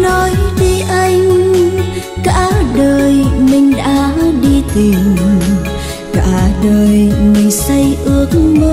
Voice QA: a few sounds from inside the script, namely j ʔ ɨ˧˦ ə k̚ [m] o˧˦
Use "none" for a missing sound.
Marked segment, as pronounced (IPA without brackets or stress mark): m